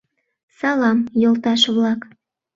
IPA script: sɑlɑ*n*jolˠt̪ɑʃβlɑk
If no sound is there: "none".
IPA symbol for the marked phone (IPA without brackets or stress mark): m